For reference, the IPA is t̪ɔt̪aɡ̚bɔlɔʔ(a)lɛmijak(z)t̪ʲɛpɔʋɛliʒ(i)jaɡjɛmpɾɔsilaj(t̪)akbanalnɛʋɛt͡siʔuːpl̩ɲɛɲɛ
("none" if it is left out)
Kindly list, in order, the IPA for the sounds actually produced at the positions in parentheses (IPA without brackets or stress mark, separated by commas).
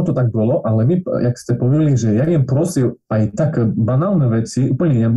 a, s, ɛ, t̪